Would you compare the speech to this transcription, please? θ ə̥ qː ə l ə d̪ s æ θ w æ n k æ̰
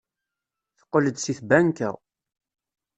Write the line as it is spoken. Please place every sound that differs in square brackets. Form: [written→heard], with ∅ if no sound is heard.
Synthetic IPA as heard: θ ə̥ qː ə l ə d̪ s [æ→i] θ [w→b] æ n k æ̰